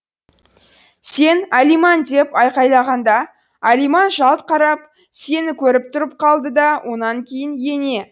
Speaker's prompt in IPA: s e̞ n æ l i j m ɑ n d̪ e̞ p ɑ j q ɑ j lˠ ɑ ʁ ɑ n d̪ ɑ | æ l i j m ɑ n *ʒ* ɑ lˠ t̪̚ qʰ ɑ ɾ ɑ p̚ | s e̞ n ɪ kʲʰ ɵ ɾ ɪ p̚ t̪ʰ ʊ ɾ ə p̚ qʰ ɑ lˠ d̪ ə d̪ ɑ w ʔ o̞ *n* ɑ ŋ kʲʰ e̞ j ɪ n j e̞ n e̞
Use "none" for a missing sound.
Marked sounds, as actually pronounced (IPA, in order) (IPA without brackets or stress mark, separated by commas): ʒ, n